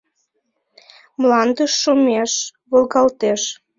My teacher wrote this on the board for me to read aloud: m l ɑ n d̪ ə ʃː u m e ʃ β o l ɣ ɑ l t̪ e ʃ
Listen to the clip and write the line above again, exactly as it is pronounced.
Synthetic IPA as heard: m l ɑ n d̪ ə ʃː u m e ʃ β o l ɣ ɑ l t̪ e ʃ